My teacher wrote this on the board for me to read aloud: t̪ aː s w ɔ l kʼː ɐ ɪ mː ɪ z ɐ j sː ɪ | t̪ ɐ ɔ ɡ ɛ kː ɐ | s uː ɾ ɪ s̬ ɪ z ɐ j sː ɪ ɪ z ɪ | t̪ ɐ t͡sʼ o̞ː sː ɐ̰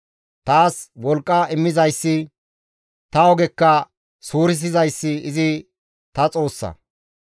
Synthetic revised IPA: t̪ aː s w ɔ l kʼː ɐ ɪ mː ɪ z ɐ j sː ɪ | t̪ ɐ ɔ ɡ ɛ kː ɐ | s uː ɾ ɪ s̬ ɪ z ɐ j sː ɪ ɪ z ɪ | t̪ ɐ t͡sʼ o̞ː sː ɐ̰